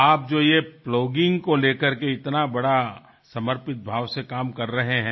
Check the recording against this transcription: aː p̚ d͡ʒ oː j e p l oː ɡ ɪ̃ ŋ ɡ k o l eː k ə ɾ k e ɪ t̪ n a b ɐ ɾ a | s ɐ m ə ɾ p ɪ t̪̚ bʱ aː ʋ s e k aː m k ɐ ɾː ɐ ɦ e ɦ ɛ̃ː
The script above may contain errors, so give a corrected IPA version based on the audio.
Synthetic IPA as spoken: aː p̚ d͡ʒ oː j e p l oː ɡ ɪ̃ ŋ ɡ k o l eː k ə ɾ k e ɪ t̪ n a b ɐ ɽ a | s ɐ m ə ɾ p ɪ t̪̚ bʱ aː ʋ s e k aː m k ɐ ɾː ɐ ɦ e ɦ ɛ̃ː

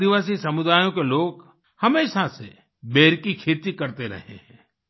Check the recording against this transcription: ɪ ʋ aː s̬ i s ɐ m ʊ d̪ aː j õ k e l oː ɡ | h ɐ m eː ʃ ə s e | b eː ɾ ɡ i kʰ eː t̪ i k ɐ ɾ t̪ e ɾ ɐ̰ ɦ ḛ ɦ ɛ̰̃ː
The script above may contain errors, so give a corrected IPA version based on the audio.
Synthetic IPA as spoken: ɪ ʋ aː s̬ i s ɐ m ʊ d̪ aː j õ k e l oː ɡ | h ɐ m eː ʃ a s e | b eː ɾ k i kʰ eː t̪ i k ɐ ɾ t̪ e ɾ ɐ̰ ɦ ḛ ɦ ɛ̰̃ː

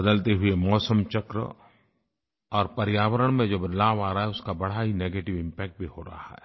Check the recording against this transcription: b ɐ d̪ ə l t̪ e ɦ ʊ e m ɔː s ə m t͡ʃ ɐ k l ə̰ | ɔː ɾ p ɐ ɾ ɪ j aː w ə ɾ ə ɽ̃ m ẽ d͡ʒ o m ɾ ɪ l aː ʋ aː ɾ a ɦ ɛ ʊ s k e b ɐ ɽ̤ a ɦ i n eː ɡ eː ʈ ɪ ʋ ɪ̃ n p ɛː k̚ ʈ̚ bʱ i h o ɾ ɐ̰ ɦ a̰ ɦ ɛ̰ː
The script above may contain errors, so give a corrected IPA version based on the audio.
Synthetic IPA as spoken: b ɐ d̪ ə l t̪ e ɦ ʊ e m ɔː s ə m t͡ʃ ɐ k ɾ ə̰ | ɔː ɾ p ɐ ɾ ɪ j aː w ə ɾ ə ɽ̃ m ẽ d͡ʒ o b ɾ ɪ l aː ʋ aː ɾ a ɦ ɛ ʊ s k a b ɐ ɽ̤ a ɦ i n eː ɡ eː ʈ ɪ ʋ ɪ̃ m p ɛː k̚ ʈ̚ bʱ i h o ɾ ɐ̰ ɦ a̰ ɦ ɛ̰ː

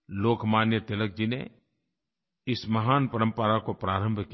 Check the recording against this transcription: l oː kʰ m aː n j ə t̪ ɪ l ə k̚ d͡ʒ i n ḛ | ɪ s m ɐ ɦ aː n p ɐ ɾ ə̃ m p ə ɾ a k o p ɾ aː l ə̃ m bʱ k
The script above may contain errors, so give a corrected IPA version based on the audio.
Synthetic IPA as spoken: l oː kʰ m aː n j ə t̪ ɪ l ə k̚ d͡ʒ i n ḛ | ɪ s m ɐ ɦ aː n p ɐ ɾ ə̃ m p ə ɾ a k o p ɾ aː ɾ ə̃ m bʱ k

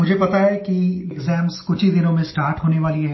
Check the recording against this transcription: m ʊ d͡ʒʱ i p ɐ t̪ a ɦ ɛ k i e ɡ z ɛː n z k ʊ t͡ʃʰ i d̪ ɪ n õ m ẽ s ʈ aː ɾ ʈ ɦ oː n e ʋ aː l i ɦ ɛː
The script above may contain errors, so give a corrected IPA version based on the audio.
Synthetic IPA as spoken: m ʊ d͡ʒʱ e p ɐ t̪ a ɦ ɛ k i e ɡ z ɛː m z k ʊ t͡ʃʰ i d̪ ɪ n õ m ẽ s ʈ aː ɾ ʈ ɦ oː n e ʋ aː l i ɦ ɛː

